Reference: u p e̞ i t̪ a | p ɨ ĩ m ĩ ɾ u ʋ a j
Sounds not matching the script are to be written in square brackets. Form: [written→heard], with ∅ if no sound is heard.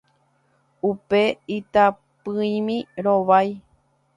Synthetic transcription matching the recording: u p e̞ i t̪ a | p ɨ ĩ m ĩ ɾ [u→o] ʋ a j